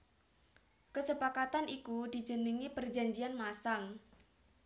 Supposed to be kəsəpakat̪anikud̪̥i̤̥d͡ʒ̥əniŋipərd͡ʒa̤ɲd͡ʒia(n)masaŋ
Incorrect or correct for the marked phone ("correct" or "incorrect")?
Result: correct